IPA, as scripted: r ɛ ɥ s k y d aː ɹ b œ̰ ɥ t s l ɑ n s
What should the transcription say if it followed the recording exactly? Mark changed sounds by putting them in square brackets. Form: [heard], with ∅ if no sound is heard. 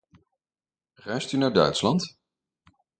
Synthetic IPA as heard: r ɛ ɥ s [t] y [n] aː ɹ [d] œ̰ ɥ t s l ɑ n [t]